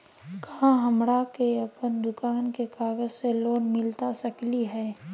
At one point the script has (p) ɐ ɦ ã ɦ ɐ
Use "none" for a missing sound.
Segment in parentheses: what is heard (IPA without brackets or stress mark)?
k